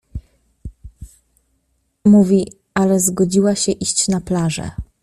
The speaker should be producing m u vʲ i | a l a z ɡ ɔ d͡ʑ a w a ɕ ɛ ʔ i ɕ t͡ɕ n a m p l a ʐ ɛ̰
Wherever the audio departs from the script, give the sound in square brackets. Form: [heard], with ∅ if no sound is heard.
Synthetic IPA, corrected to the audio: m u vʲ i | a l [ɛ] z ɡ ɔ d͡ʑ [i] w a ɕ ɛ ʔ i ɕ t͡ɕ n a [∅] p l a ʐ ɛ̰